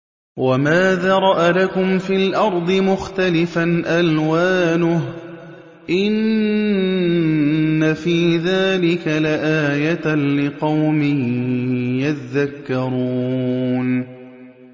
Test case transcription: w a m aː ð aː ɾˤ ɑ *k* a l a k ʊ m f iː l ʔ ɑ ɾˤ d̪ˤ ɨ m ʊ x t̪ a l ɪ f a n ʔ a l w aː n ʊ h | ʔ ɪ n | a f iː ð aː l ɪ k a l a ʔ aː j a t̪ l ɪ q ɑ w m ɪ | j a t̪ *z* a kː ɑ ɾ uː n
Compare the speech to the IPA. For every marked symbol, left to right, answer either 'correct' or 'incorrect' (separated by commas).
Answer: incorrect, incorrect